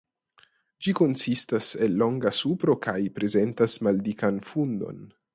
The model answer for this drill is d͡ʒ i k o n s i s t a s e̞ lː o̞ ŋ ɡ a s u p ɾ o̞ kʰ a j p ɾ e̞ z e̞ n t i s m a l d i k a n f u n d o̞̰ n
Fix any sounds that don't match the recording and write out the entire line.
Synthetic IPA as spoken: d͡ʒ i k o n s i s t a s e̞ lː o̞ ŋ ɡ a s u p ɾ o̞ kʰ a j p ɾ e̞ z e̞ n t a s m a l d i k a n f u n d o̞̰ n